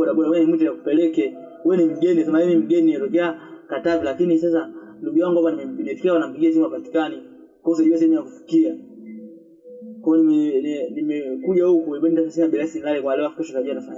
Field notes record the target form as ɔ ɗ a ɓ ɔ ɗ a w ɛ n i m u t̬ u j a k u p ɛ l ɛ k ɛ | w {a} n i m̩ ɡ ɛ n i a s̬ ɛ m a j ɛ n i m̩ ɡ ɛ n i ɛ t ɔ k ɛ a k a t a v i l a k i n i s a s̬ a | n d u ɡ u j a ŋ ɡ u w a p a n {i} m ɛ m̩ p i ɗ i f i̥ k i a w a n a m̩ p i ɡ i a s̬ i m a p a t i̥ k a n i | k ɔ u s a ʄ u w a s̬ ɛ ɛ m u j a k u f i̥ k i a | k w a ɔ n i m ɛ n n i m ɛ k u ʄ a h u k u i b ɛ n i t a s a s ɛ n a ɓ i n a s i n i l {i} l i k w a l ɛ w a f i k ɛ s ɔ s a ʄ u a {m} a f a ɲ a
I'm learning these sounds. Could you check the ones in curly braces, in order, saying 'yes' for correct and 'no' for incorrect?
no, yes, no, no

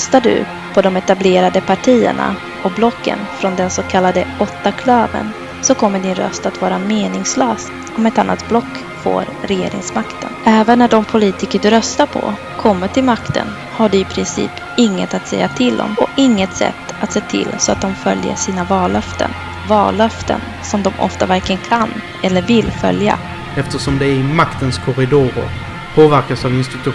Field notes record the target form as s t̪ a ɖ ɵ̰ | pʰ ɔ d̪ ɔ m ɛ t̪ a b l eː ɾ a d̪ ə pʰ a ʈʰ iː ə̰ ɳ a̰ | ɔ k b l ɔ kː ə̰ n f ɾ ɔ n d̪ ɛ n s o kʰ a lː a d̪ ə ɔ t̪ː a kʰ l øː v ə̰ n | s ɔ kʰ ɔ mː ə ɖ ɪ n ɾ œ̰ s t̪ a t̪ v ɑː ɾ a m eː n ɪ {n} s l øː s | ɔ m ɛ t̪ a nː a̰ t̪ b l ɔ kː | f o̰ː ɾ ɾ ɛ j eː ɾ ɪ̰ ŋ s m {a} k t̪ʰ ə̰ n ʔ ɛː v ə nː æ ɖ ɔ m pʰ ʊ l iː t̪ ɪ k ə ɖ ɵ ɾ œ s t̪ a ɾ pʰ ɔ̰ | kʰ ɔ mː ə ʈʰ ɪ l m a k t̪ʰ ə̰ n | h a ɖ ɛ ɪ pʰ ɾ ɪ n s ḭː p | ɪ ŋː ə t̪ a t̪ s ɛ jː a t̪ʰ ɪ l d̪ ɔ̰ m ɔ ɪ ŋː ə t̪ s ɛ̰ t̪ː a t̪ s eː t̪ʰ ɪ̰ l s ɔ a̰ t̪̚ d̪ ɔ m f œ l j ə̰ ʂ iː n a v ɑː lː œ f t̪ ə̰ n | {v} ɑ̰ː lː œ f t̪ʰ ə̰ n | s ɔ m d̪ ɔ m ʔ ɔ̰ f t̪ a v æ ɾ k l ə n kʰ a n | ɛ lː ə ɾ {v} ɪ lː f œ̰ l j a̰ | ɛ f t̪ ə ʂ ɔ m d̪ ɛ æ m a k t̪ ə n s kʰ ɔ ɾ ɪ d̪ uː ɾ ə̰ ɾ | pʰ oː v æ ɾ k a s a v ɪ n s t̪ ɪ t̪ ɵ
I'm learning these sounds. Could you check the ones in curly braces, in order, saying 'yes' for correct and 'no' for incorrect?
no, yes, yes, yes

